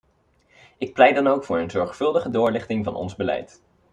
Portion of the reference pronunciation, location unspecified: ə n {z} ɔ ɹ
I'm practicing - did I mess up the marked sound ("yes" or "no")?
no